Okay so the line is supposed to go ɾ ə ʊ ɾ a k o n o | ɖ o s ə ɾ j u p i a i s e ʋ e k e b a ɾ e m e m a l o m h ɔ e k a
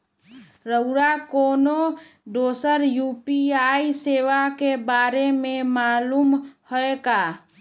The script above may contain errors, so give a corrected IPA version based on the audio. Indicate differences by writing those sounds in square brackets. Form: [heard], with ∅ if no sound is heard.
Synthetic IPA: ɾ ə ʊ ɾ a k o n o | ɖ o s ə ɾ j u p i a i s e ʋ [a] k e b a ɾ e m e m a l [u] m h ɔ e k a